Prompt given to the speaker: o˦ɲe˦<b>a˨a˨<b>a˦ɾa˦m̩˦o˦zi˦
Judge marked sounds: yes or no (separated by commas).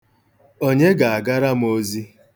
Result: no, no